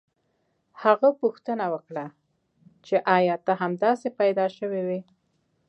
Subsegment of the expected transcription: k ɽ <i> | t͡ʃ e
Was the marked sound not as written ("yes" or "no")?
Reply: yes